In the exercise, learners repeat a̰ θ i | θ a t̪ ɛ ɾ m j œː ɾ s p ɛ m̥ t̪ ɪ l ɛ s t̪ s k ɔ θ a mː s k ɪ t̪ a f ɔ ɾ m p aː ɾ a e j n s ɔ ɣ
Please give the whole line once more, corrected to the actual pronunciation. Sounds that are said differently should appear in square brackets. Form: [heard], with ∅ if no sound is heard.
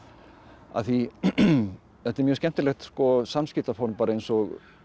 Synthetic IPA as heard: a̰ θ i | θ [ɛ] t̪ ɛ ɾ m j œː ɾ s [c] ɛ m̥ t̪ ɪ l ɛ [x] t̪ s k ɔ [s] a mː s [c] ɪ t̪ a f ɔ ɾ m p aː ɾ a e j n s ɔ ɣ